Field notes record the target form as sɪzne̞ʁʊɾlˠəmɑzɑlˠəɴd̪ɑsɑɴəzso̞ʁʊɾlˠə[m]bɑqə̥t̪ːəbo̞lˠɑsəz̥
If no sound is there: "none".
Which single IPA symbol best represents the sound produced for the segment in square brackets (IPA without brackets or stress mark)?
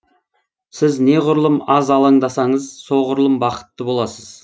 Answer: m